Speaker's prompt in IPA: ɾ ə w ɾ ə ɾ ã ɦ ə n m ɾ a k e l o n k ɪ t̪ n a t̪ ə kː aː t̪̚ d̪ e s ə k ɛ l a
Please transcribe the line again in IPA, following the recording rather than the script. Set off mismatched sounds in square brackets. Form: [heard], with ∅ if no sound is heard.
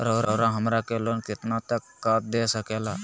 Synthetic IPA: ɾ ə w ɾ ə ɾ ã ɦ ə [∅] m ɾ a k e l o n k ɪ t̪ n a t̪ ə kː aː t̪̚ d̪ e s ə k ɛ l a